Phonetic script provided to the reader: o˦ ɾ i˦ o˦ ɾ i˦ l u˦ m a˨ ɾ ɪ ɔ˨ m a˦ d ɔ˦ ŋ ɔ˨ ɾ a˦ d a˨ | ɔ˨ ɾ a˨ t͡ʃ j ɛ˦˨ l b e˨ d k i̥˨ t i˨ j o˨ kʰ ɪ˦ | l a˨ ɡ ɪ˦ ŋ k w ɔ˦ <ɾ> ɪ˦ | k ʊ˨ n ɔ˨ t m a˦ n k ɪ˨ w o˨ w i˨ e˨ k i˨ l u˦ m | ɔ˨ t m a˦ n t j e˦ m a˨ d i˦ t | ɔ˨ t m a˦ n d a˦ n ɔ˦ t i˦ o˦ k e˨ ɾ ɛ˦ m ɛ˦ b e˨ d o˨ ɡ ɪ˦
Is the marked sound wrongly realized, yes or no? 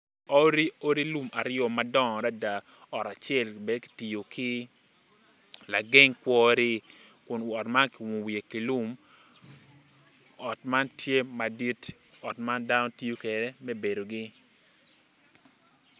no